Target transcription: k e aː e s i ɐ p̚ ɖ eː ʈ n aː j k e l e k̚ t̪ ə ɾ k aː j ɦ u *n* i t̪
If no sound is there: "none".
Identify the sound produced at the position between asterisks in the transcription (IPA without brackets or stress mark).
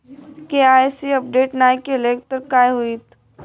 none